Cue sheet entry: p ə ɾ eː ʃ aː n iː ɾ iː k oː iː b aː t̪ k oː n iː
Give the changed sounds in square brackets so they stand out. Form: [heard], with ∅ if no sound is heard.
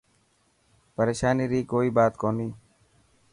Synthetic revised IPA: p ə ɾ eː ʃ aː n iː ɾ iː k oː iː b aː t̪ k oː n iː